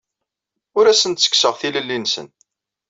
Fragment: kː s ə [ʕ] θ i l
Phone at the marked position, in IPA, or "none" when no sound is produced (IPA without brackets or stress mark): ʁ